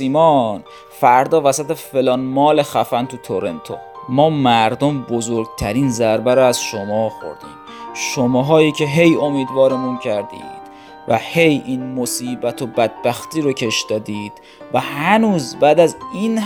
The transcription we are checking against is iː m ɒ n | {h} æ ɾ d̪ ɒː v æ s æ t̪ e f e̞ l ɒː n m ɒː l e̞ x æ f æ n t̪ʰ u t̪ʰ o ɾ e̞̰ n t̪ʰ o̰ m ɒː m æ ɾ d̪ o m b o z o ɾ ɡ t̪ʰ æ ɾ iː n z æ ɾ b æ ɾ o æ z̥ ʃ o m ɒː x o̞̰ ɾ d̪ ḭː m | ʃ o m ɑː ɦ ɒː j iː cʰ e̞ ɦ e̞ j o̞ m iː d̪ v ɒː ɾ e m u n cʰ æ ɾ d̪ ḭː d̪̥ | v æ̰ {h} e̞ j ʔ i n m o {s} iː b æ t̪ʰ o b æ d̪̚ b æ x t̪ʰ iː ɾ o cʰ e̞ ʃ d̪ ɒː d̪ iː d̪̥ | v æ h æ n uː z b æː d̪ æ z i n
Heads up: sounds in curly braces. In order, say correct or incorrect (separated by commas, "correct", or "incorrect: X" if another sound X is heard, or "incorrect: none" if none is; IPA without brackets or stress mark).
incorrect: f, correct, correct